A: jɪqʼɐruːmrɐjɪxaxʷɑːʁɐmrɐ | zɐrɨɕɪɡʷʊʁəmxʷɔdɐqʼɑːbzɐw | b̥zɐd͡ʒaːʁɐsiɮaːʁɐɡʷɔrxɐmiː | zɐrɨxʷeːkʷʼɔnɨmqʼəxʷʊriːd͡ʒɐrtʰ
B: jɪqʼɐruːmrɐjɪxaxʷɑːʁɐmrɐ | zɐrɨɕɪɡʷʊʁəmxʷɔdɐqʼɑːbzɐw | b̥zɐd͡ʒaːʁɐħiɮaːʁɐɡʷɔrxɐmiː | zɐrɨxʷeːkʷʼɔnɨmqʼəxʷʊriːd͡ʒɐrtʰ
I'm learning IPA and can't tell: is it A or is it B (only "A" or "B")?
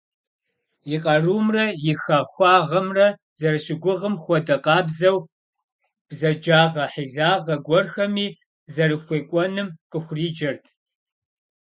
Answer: B